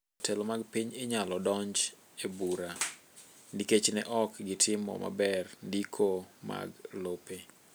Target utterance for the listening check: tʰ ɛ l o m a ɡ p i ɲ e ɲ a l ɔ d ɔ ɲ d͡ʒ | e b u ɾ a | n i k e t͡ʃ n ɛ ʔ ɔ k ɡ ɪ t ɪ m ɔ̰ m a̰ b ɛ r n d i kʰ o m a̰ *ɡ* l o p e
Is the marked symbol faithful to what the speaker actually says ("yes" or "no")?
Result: yes